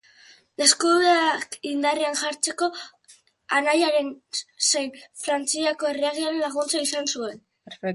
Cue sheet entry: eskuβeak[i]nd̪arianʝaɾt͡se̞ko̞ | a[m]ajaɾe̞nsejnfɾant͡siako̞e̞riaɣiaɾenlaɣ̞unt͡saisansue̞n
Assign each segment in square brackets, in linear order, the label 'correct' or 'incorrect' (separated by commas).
correct, incorrect